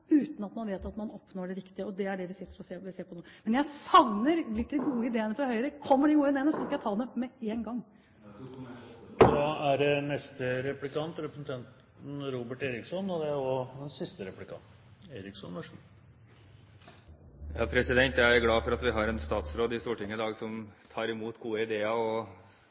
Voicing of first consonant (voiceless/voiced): voiceless